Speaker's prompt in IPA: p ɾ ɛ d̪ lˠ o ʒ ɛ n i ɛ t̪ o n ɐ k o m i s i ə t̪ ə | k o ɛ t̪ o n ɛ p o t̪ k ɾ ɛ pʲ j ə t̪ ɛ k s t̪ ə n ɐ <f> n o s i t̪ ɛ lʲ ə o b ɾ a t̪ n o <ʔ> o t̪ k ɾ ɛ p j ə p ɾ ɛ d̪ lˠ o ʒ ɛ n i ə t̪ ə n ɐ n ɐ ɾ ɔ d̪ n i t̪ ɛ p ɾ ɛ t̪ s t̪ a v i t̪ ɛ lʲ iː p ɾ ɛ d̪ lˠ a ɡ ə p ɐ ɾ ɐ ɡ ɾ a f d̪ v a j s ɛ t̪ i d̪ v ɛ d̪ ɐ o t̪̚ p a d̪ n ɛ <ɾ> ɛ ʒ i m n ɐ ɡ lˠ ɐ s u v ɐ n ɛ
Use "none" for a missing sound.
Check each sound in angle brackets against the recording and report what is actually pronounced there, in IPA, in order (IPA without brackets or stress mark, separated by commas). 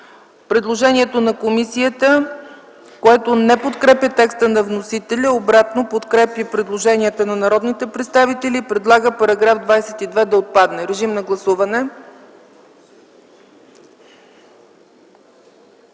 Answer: v, p, ɾ